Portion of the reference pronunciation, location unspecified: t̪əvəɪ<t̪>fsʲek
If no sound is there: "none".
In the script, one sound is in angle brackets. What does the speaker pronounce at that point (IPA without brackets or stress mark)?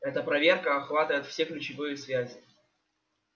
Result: t̪